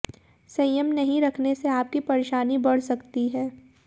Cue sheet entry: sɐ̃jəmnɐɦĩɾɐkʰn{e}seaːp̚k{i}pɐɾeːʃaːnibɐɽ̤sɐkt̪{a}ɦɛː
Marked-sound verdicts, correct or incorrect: correct, correct, incorrect: i

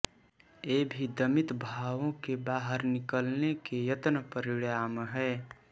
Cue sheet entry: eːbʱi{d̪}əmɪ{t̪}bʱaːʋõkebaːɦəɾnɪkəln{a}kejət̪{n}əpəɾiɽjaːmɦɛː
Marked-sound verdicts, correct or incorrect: correct, correct, incorrect: e, correct

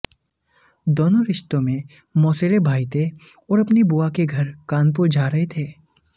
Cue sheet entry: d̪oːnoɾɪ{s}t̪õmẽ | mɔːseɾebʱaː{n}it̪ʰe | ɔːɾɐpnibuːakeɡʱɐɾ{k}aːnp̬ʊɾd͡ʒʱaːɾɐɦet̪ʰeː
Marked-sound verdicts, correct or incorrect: incorrect: ʃ, incorrect: none, correct

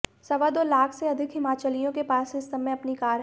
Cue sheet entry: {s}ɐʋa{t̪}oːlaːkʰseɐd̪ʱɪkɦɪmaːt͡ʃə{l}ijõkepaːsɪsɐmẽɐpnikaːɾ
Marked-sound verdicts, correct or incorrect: correct, incorrect: d̪, correct

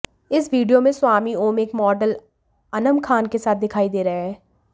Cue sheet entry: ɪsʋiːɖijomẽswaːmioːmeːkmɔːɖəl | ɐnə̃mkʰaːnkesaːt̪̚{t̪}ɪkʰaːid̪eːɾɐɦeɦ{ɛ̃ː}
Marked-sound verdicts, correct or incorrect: incorrect: d̪, incorrect: ɛː

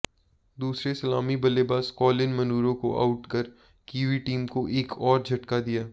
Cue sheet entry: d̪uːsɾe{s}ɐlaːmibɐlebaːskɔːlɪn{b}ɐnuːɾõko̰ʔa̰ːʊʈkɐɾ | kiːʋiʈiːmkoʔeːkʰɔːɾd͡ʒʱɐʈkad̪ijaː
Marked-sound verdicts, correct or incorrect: correct, incorrect: m

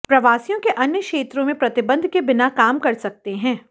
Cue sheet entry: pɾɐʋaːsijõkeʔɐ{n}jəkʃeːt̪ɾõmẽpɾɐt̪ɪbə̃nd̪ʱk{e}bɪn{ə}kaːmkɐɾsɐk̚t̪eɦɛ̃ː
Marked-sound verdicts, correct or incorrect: correct, correct, incorrect: a

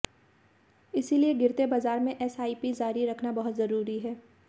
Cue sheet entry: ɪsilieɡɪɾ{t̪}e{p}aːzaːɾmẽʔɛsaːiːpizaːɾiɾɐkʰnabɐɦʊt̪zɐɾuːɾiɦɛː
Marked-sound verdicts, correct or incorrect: correct, incorrect: b

